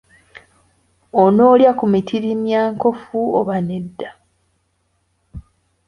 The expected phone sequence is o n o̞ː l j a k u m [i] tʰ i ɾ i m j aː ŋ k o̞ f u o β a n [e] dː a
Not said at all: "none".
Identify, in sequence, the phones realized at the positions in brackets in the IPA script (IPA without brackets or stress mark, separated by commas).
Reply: i, e